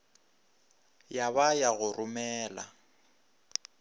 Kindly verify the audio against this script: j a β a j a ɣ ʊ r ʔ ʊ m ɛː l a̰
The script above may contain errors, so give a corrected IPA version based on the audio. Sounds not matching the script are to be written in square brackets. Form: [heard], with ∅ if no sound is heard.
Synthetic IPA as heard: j a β a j a ɣ ʊ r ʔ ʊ m ɛː l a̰